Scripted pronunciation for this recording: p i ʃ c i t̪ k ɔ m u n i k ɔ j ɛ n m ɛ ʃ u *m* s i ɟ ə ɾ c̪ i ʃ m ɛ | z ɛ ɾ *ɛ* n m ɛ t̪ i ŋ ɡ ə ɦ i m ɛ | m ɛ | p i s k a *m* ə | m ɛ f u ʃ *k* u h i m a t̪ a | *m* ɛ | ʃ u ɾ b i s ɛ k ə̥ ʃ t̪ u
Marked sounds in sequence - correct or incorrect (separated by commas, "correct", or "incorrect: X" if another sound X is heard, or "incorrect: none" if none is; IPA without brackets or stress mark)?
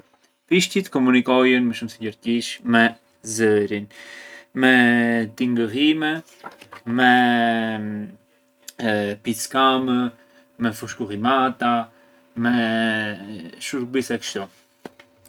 correct, incorrect: i, correct, correct, correct